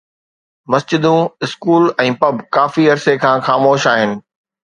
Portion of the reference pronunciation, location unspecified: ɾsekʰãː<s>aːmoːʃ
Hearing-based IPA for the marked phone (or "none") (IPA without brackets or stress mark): x